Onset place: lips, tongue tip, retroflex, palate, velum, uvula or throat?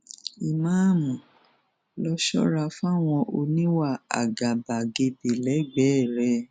lips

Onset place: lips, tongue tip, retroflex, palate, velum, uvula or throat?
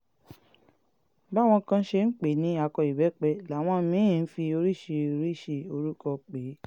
lips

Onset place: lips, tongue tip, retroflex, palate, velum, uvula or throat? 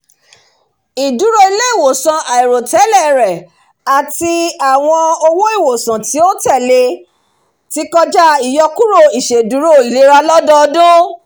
tongue tip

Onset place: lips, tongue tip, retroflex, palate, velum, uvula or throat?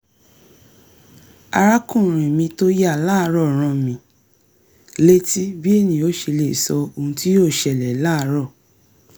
tongue tip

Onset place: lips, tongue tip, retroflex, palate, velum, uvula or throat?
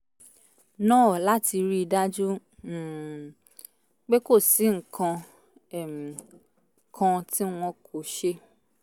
tongue tip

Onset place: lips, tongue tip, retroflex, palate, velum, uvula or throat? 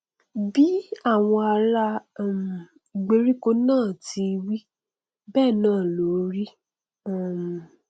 lips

